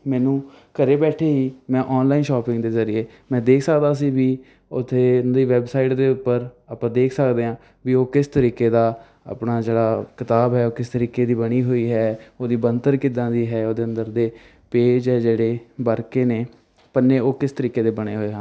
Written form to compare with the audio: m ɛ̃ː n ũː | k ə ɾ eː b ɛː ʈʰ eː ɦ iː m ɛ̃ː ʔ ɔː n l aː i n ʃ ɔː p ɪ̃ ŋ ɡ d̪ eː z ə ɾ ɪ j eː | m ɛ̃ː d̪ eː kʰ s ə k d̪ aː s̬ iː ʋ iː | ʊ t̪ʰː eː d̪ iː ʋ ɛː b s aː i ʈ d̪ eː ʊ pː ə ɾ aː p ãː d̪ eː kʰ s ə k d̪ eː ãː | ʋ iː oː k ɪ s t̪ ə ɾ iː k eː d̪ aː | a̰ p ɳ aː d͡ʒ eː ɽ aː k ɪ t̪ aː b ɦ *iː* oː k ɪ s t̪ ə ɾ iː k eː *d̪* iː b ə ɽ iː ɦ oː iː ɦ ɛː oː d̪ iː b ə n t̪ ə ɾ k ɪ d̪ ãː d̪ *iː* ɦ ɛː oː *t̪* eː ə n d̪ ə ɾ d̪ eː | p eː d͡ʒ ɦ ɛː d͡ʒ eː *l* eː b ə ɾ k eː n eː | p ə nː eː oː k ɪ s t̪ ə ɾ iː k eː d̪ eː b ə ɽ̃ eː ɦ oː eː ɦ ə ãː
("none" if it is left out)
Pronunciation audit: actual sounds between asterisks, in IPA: ɛː, d̪, iː, d̪, ɽ

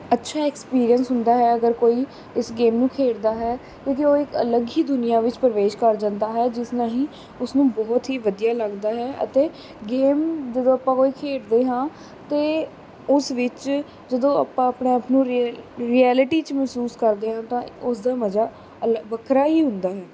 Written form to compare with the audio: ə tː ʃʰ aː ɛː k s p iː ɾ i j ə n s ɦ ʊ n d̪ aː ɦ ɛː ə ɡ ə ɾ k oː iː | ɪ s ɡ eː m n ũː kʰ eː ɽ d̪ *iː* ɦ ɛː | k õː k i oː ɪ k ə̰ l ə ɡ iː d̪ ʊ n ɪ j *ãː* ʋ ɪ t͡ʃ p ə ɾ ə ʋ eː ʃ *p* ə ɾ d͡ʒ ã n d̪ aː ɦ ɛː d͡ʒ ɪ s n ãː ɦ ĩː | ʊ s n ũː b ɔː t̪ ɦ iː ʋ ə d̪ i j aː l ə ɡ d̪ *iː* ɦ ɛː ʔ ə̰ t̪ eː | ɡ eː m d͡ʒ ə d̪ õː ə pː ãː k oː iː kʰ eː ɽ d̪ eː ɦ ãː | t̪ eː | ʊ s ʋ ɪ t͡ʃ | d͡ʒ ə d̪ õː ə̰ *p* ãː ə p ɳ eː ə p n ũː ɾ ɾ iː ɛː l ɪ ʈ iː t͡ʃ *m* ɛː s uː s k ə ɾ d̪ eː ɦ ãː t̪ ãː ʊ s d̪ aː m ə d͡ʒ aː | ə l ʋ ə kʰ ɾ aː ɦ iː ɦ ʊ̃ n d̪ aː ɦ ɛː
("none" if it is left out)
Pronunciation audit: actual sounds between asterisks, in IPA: aː, aː, k, aː, p, m

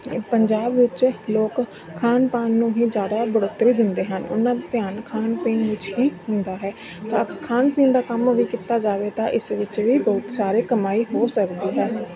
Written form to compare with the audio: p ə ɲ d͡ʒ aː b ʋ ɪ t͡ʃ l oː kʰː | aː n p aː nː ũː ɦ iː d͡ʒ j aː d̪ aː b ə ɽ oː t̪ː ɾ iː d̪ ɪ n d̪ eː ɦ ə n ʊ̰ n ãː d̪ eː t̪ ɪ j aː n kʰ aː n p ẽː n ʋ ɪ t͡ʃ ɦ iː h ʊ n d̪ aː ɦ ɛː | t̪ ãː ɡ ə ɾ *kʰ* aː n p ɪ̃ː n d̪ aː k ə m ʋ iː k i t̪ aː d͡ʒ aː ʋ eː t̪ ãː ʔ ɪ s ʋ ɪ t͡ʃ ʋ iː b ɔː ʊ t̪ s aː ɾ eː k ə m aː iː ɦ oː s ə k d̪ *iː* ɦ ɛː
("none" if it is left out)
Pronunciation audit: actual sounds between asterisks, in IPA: kʰ, iː

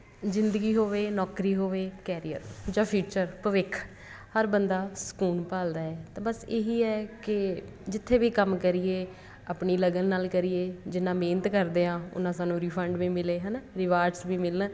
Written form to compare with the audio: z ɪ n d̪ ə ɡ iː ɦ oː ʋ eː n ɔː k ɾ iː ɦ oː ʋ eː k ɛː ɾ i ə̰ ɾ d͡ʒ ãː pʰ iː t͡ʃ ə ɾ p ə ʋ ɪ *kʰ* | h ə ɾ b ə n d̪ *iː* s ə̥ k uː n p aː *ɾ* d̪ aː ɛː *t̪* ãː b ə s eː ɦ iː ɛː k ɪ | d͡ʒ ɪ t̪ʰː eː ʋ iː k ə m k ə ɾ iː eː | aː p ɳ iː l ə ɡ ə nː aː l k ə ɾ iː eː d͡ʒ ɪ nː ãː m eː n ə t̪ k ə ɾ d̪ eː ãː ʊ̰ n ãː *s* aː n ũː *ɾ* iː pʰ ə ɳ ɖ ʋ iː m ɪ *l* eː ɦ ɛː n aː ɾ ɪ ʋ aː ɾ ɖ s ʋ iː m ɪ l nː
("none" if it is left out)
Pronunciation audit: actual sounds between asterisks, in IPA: kʰ, aː, l, t̪, s, ɾ, l

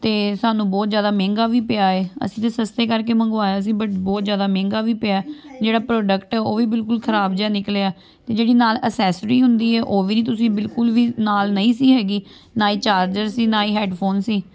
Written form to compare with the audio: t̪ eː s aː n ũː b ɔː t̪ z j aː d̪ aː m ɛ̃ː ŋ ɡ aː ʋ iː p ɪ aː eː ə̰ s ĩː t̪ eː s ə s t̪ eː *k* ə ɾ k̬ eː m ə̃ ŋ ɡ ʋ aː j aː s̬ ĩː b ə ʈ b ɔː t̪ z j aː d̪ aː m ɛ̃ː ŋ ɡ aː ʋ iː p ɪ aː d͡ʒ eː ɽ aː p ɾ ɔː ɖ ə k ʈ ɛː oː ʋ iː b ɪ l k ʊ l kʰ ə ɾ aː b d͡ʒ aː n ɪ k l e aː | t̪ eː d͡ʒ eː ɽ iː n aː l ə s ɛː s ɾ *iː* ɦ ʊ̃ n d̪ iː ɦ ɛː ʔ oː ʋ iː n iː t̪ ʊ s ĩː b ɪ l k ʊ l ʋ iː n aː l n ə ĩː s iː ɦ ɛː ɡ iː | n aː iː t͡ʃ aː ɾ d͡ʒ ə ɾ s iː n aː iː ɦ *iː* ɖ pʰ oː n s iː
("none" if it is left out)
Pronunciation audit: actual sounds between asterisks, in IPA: k, iː, ɛː

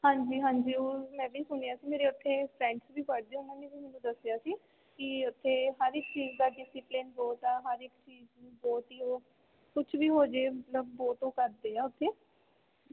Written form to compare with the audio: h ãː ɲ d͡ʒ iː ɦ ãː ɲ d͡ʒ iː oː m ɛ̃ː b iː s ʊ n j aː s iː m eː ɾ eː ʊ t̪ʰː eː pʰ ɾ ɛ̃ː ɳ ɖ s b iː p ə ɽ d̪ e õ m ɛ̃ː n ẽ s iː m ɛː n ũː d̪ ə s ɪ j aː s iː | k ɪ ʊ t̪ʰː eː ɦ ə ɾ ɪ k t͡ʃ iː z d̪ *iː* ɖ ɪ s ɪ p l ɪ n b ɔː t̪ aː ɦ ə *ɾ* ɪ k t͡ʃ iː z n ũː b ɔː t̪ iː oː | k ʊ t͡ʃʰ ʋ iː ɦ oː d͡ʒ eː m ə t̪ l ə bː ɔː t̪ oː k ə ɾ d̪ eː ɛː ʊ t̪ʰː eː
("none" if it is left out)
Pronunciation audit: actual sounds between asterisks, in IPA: aː, ɾ

